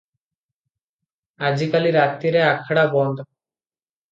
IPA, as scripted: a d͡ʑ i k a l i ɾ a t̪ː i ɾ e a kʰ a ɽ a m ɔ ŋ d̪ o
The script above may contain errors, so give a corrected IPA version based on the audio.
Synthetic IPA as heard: a d͡ʑ i k a l i ɾ a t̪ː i ɾ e a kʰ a ɽ a b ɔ n d̪ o